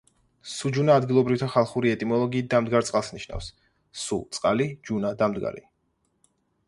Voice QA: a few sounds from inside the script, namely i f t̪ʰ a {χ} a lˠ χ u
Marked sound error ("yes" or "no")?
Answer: no